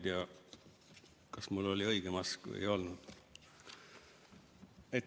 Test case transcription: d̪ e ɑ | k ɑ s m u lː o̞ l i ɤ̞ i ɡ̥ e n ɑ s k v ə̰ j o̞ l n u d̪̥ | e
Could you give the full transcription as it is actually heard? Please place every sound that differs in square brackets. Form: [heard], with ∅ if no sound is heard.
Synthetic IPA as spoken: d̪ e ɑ | k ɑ s m u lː o̞ l i ɤ̞ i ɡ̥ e [m] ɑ s k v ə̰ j o̞ l n u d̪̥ | e